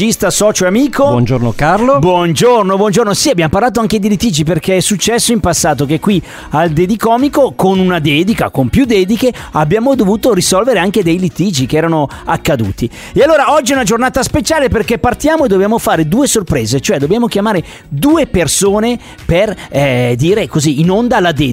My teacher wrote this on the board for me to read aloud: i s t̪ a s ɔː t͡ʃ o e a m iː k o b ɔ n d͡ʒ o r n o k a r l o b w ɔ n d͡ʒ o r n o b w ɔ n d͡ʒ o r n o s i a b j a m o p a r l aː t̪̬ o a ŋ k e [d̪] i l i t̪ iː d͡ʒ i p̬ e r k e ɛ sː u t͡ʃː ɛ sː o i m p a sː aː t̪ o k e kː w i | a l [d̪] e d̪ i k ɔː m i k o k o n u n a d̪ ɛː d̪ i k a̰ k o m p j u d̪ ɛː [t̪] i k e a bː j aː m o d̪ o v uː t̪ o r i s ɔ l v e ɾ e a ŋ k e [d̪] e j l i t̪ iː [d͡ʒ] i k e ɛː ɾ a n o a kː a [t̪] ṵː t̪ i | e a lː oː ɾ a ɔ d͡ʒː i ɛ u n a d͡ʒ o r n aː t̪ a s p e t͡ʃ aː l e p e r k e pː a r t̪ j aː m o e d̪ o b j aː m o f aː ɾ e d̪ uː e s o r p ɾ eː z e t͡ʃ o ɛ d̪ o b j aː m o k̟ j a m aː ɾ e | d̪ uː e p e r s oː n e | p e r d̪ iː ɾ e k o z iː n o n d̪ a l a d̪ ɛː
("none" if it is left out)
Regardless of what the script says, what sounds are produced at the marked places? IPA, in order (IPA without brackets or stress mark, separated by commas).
d̪, d̪, d̪, d̪, d͡ʒ, d̪